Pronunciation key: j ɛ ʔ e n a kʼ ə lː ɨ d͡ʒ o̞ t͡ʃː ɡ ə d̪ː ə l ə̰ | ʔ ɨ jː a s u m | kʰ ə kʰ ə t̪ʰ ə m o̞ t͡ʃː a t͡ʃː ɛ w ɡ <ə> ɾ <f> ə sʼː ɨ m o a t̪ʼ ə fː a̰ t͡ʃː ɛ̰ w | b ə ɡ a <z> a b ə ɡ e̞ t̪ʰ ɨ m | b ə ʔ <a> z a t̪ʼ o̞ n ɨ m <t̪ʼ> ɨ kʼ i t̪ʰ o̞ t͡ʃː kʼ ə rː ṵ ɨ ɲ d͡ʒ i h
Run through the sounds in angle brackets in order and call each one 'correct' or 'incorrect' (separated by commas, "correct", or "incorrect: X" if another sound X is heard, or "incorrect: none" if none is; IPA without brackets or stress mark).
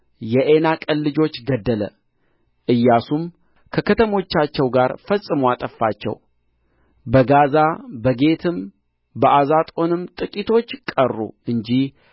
incorrect: a, correct, correct, correct, correct